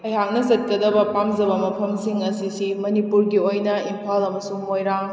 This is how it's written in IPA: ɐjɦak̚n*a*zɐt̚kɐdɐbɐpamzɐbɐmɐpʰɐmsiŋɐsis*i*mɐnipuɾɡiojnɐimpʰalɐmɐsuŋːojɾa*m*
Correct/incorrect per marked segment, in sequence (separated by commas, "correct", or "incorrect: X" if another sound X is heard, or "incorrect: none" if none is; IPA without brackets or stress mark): incorrect: ɐ, correct, incorrect: ŋ